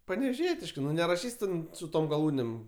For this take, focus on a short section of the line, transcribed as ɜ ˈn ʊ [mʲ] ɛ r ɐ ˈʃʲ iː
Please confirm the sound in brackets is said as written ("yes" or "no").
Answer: no